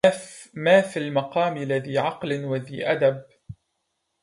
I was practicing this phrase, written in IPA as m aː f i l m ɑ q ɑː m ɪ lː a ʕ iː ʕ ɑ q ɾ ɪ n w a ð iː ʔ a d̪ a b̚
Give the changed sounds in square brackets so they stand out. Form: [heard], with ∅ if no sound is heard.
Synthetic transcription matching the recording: m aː f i l m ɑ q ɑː m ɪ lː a [ð] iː ʕ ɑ q [l] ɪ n w a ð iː ʔ a d̪ a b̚

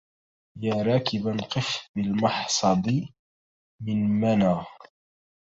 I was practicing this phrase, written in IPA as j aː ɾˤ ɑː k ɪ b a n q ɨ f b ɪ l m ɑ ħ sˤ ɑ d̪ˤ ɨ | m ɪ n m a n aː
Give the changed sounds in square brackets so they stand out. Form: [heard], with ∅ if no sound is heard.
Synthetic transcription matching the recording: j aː ɾˤ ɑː k ɪ b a n q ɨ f b ɪ l m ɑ ħ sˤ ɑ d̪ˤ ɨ | m ɪ n m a n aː

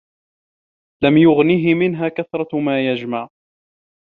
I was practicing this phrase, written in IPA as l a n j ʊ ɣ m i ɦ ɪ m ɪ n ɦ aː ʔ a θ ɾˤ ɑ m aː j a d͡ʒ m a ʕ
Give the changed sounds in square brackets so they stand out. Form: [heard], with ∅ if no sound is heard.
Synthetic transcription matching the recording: l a [m] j ʊ ɣ [n] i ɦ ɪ m ɪ n ɦ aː [k] a θ ɾˤ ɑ m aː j a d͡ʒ m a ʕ

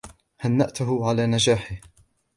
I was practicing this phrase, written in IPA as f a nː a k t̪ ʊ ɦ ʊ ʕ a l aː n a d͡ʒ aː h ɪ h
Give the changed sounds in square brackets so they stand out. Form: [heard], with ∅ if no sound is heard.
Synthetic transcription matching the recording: [h] a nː a [ʔ] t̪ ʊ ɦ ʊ ʕ a l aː n a d͡ʒ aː [ħ] ɪ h

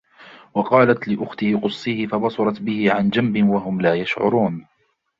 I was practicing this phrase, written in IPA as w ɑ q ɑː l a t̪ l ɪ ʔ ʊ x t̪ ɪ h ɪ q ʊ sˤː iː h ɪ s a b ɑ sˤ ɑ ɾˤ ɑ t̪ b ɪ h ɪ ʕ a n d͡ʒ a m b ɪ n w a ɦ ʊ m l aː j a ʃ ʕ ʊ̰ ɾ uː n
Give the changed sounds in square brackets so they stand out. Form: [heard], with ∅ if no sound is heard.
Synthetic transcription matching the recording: w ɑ q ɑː l a t̪ l ɪ ʔ ʊ x t̪ ɪ h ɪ q ʊ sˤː iː h ɪ [f] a b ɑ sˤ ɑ ɾˤ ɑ t̪ b ɪ h ɪ ʕ a n d͡ʒ a m b ɪ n w a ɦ ʊ m l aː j a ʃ ʕ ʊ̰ ɾ uː n

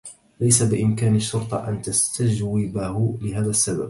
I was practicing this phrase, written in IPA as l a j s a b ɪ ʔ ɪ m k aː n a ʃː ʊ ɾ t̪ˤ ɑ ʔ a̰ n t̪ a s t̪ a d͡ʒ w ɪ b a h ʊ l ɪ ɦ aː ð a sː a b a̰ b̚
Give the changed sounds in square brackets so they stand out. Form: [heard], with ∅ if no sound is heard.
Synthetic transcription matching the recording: l a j s a b ɪ ʔ ɪ m k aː n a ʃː ʊ ɾ t̪ˤ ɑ ʔ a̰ n t̪ a s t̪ a d͡ʒ w ɪ b a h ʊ l ɪ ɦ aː ð a sː a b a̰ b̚

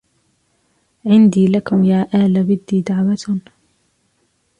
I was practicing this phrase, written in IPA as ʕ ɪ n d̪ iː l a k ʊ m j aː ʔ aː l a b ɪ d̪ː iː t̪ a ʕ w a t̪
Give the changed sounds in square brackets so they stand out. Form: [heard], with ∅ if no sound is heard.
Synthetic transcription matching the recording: ʕ ɪ n d̪ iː l a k ʊ m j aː ʔ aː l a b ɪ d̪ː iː [d̪] a ʕ w a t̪

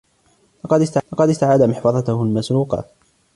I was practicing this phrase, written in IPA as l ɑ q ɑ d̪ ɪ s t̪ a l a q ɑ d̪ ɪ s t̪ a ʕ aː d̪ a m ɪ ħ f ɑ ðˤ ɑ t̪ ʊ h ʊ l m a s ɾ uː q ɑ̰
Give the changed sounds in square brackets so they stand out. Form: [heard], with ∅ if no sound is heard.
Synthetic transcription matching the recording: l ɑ q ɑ d̪ ɪ s t̪ a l [ɑ] q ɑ d̪ ɪ s t̪ a ʕ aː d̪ a m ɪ ħ f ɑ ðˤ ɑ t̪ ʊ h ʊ l m a s ɾ uː q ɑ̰

